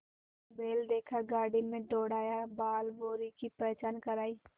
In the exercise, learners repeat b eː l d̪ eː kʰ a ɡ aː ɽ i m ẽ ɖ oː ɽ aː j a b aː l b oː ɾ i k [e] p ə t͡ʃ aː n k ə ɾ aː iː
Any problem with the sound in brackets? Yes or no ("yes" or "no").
yes